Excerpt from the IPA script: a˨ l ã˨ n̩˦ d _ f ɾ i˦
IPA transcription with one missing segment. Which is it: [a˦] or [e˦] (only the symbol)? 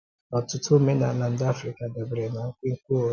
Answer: a˦